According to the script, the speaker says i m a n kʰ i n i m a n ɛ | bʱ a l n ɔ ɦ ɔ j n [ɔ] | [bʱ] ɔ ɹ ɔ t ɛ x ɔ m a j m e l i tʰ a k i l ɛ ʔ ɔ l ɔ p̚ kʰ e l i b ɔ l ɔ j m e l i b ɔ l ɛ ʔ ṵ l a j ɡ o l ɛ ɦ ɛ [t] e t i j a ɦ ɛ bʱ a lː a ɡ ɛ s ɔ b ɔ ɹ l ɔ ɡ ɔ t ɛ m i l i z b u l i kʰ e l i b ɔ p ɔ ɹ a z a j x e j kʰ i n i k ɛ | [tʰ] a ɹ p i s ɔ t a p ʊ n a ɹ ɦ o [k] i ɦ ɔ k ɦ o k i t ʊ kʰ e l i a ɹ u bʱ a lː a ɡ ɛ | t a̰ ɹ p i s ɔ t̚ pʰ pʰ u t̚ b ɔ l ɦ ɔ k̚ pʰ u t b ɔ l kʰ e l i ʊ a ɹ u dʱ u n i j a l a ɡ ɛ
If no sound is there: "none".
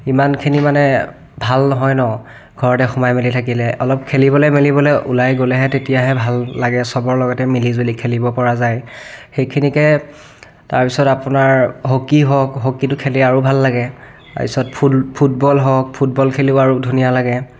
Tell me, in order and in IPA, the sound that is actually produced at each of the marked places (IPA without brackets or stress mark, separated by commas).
ɔ, ɡʱ, t, t, k